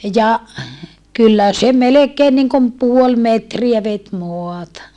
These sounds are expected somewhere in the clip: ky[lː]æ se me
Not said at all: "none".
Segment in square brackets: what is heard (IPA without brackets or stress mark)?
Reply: lː